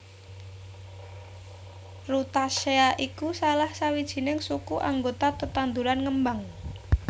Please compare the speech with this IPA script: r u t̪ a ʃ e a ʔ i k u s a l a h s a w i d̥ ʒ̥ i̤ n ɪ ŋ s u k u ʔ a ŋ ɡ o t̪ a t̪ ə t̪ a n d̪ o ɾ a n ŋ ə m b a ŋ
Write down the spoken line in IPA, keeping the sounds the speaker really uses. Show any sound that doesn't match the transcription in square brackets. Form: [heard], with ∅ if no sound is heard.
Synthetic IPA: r u t̪ a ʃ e a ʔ i k u s a l a h s a w i d̥ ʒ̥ i̤ n ɪ ŋ s u k u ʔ a ŋ ɡ o t̪ a t̪ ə t̪ a n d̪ [u] ɾ a n ŋ ə m b a ŋ